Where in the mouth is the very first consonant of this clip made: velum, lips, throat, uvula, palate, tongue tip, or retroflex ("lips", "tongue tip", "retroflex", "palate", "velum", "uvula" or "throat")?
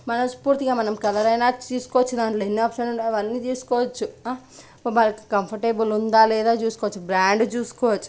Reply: lips